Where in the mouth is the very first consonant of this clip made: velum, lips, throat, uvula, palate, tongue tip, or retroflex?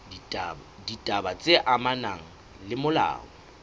tongue tip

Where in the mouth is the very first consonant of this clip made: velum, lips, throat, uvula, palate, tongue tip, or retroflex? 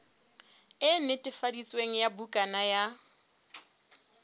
tongue tip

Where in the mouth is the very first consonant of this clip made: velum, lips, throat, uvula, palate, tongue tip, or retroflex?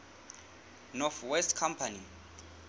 tongue tip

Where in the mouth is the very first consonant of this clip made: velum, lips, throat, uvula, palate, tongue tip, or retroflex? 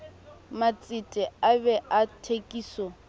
lips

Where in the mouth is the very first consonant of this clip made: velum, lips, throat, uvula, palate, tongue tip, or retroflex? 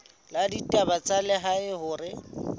tongue tip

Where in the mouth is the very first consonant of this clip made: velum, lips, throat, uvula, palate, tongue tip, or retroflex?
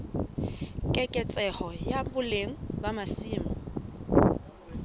velum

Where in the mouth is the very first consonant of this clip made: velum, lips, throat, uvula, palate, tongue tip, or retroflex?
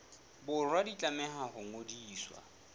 lips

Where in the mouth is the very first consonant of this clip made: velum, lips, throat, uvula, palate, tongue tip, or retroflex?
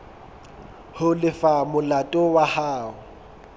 throat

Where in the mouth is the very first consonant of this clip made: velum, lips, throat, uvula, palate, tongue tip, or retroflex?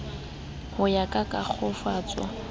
throat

